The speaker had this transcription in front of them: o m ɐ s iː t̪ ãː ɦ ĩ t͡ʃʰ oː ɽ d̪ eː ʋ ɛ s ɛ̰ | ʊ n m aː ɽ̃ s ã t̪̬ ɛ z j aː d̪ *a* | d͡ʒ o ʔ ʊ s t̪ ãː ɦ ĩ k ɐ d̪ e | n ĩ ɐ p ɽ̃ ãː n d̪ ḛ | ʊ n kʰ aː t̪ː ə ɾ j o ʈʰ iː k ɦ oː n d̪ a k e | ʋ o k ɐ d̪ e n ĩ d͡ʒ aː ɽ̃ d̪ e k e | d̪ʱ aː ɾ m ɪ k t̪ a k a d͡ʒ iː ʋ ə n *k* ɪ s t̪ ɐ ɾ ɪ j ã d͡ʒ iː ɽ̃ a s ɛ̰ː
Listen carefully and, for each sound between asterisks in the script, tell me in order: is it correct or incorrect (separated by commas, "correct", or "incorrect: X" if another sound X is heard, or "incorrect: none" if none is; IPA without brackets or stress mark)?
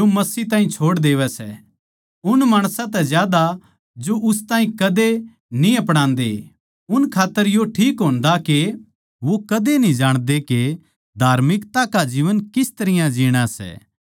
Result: correct, correct